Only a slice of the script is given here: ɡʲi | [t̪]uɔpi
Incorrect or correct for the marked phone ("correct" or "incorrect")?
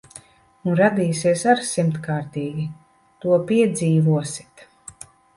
correct